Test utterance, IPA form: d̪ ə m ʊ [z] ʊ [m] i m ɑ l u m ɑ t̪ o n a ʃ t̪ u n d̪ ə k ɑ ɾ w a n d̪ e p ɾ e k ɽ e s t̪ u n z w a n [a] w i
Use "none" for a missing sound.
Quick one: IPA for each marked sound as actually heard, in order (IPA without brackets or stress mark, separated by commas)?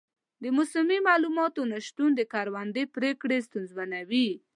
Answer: s, m, a